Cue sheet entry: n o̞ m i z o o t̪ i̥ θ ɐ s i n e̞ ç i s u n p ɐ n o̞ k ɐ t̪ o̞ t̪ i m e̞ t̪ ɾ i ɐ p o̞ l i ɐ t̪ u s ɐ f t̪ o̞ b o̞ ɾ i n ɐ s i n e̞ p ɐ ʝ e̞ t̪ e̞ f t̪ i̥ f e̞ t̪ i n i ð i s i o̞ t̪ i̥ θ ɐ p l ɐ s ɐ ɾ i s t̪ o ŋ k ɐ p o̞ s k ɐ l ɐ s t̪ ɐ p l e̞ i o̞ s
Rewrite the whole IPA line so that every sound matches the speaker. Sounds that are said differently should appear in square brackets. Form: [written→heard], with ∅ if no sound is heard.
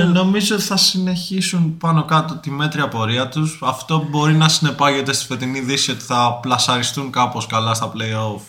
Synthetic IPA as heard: n o̞ m i z o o t̪ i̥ θ ɐ s i n e̞ ç i s u n p ɐ n o̞ k ɐ t̪ o̞ t̪ i m e̞ t̪ ɾ i ɐ p o̞ [l→ɾ] i ɐ t̪ u s ɐ f t̪ o̞ b o̞ ɾ i n ɐ s i n e̞ p ɐ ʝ e̞ t̪ e̞ [f→s] t̪ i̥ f e̞ t̪ i n i ð i s i o̞ t̪ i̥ θ ɐ p l ɐ s ɐ ɾ i s t̪ [o→u] ŋ k ɐ p o̞ s k ɐ l ɐ s t̪ ɐ p l e̞ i o̞ [s→f]